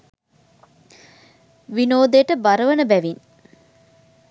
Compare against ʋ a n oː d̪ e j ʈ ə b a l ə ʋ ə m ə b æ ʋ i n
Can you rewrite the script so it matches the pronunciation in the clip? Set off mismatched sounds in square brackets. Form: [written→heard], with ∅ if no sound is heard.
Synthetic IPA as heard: ʋ [a→i] n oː d̪ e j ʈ ə b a [l→ɾ] ə ʋ ə [m→n] ə b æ ʋ i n

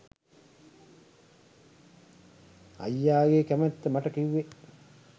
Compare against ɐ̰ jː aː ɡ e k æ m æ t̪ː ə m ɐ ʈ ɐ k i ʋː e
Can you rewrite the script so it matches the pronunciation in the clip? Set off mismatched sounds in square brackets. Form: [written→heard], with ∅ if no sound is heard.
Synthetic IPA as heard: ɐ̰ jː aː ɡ e k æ m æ t̪ː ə m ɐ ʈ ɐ k i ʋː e

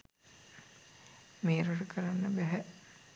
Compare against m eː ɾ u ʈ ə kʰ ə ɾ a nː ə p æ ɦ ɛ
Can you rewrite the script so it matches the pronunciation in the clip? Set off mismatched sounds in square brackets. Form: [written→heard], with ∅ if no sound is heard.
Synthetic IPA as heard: m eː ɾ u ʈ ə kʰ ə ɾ a nː ə [p→b] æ ɦ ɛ

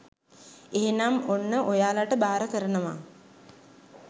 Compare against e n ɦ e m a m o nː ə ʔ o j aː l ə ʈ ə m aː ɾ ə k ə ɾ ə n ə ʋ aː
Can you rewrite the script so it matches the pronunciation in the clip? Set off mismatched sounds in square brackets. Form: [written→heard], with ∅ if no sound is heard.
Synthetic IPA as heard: e [n→∅] ɦ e [m→n] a m o nː ə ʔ o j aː l [ə→a] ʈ ə [m→b] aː ɾ ə k ə ɾ ə n ə ʋ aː

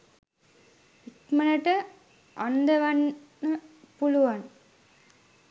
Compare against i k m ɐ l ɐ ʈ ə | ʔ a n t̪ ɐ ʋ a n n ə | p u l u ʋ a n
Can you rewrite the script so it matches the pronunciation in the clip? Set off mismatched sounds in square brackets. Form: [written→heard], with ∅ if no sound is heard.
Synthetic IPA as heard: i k m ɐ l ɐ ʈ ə | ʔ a n [t̪→d̪] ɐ ʋ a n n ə | p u l u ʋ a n

